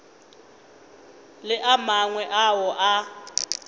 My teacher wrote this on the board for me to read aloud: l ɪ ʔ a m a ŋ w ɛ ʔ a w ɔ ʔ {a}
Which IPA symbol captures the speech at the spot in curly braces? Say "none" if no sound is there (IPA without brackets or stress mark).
a